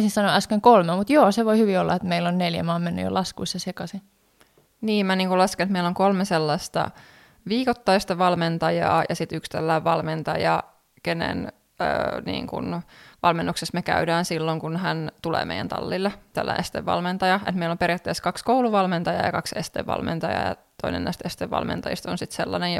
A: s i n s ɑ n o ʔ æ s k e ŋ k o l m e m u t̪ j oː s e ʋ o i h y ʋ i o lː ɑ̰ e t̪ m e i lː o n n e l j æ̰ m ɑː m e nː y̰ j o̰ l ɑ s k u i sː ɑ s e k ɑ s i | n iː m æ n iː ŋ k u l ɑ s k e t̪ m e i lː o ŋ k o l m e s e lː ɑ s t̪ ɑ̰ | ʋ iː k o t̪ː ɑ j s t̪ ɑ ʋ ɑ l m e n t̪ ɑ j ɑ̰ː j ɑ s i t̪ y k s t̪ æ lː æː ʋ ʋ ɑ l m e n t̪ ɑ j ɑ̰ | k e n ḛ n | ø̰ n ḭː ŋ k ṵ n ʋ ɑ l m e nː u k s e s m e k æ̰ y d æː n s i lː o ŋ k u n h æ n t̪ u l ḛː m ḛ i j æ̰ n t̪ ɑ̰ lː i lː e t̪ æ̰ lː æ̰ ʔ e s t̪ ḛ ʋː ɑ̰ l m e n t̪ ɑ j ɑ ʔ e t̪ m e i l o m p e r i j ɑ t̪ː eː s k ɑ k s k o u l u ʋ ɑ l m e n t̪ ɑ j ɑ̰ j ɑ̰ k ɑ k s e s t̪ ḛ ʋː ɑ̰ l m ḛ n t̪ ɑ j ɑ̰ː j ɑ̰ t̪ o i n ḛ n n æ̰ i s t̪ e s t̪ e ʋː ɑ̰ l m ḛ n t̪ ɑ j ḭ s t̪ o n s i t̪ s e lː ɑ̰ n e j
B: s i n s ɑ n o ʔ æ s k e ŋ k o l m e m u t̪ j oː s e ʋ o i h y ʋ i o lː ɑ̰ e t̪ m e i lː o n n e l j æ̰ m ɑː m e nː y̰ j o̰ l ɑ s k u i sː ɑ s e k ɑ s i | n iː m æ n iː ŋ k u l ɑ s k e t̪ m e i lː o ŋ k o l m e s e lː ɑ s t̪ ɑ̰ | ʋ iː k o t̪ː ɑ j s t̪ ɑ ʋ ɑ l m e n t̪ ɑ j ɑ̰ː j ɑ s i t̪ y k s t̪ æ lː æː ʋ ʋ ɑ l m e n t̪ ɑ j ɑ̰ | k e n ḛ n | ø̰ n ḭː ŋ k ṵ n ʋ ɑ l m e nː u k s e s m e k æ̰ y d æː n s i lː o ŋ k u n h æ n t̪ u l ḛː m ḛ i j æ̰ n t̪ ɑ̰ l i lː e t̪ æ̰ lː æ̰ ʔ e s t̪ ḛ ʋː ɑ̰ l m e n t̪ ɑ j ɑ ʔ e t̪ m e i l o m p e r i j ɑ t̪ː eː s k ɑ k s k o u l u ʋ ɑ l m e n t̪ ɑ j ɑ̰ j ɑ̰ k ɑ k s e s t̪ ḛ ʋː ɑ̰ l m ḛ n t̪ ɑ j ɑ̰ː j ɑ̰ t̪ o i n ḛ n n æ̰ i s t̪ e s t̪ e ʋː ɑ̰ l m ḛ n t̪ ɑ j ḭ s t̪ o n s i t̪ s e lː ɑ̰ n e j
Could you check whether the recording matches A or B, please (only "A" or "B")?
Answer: A